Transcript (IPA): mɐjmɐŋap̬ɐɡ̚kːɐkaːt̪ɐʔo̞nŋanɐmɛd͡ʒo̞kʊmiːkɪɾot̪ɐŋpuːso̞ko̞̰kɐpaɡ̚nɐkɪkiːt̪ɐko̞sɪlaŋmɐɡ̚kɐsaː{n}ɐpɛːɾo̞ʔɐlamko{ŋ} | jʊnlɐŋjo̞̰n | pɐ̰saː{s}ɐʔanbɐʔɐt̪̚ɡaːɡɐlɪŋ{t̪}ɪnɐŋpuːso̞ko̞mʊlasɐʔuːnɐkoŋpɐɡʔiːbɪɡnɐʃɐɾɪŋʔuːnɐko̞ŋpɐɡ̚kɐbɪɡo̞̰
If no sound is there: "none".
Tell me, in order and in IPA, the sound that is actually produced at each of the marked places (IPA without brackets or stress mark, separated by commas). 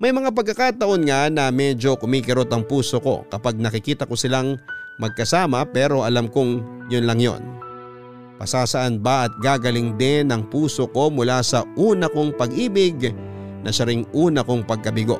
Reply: m, ŋ, s, d̪